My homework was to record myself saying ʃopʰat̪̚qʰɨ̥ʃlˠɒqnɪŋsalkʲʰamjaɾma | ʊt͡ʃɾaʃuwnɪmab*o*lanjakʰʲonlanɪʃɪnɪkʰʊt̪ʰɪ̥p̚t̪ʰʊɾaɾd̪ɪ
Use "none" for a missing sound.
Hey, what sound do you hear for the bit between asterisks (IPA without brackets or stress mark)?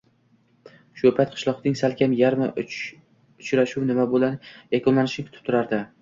o